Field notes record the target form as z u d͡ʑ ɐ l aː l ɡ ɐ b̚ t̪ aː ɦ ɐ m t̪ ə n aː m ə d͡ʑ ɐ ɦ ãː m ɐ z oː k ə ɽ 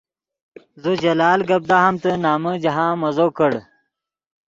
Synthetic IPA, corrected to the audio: z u d͡ʑ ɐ l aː l ɡ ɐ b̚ d̪ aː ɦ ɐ m t̪ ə n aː m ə d͡ʑ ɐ ɦ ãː m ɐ z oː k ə ɽ